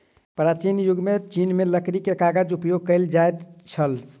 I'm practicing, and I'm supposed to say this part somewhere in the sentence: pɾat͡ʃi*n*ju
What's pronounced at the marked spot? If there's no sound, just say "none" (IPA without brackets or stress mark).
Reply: n